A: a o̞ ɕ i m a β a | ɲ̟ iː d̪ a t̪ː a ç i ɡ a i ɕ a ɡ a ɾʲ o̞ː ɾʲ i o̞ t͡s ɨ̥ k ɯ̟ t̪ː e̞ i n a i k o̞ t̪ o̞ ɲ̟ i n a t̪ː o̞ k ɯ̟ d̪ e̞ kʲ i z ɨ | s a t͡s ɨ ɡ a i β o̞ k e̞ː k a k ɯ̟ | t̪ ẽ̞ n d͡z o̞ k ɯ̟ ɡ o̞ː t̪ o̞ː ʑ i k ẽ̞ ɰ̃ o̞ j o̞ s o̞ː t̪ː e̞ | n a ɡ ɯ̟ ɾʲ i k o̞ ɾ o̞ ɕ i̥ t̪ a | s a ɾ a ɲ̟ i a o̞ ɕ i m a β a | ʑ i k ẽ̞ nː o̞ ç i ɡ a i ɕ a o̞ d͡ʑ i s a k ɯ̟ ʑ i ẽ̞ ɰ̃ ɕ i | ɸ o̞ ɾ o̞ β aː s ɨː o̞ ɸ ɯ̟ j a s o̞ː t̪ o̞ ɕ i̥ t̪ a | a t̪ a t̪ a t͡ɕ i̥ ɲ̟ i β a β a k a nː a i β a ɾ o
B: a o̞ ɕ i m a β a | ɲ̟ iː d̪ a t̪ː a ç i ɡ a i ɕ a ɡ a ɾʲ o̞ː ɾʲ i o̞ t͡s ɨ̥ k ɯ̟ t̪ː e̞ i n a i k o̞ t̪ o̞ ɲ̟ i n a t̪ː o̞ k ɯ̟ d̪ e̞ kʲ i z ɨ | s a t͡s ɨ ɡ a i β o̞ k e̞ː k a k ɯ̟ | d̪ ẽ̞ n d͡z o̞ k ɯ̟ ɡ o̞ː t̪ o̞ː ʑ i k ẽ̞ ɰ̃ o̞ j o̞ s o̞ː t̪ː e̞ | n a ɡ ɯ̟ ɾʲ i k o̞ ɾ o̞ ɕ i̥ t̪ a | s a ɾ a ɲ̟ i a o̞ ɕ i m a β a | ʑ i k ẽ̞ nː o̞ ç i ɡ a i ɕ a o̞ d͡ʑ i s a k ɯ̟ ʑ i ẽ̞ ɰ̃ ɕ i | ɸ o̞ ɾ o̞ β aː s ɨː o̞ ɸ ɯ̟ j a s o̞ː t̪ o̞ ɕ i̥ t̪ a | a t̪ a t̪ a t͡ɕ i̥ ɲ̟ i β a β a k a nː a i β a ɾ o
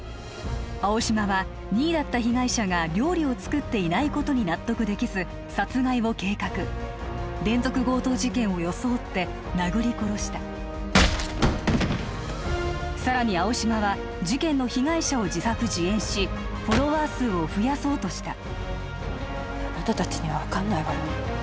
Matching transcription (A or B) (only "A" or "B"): B